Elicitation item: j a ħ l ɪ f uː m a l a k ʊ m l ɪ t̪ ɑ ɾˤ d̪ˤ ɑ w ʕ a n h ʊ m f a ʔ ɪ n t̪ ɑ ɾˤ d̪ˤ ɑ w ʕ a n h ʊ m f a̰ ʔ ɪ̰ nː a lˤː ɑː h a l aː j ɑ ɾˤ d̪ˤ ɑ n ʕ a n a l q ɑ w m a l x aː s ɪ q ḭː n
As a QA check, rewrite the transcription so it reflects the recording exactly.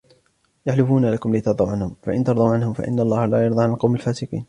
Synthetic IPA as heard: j a ħ l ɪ f uː n a l a k ʊ m l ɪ t̪ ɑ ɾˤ d̪ˤ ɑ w ʕ a n h ʊ m f a ʔ ɪ n t̪ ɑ ɾˤ d̪ˤ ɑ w ʕ a n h ʊ m f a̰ ʔ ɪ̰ nː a lˤː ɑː h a l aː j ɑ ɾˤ d̪ˤ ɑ ʕ a n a l q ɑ w m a l f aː s ɪ q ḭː n